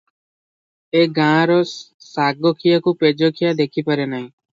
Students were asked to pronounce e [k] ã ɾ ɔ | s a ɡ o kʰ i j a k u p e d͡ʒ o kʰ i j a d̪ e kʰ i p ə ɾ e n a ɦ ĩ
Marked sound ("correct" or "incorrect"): incorrect